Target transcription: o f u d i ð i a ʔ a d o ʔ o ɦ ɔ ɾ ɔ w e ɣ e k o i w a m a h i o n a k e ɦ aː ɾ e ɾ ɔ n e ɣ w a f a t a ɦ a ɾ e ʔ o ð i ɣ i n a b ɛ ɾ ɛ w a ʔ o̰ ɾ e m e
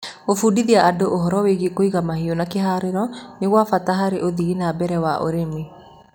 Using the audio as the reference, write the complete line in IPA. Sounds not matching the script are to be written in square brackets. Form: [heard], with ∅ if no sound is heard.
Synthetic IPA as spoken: o f u d i ð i a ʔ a d o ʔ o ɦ ɔ ɾ ɔ w e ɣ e k o i [ɣ] a m a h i o n a k e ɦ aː ɾ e ɾ ɔ n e ɣ w a f a t a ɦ a ɾ e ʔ o ð i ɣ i n a b ɛ ɾ ɛ w a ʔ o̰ ɾ e m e